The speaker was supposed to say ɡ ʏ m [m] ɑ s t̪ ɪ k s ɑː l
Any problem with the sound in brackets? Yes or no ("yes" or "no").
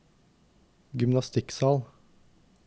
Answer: yes